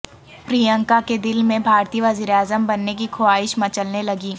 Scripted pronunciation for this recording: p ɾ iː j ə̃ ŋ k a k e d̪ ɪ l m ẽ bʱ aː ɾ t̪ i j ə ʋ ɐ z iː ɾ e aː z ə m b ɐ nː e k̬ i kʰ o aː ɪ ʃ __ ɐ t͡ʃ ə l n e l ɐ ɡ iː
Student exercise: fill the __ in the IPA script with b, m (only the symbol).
m